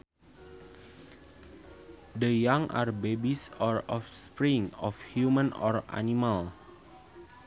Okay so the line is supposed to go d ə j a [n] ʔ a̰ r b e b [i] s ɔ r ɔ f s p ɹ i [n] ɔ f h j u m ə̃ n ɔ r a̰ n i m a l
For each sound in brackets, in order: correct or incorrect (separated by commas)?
incorrect, correct, incorrect